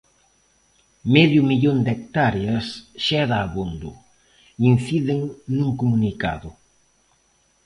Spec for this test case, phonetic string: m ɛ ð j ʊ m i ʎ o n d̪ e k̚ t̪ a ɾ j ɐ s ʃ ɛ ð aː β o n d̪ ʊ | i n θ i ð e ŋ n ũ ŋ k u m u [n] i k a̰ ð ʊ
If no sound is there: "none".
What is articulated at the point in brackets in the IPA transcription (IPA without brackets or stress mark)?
n